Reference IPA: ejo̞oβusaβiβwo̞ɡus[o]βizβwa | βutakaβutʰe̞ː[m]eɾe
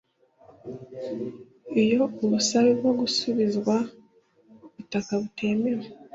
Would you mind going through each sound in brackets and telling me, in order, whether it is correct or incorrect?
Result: incorrect: u, correct

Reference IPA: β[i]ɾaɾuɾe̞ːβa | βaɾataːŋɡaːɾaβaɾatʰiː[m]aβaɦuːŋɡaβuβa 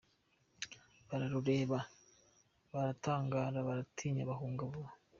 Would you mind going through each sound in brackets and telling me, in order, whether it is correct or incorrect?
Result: incorrect: a, incorrect: ɲ

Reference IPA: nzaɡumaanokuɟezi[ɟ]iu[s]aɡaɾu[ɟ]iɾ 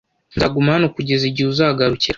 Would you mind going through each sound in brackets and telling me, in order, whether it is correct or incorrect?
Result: correct, incorrect: z, incorrect: c

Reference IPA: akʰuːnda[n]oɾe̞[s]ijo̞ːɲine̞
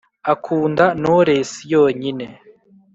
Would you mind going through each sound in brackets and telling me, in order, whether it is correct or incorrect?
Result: correct, correct

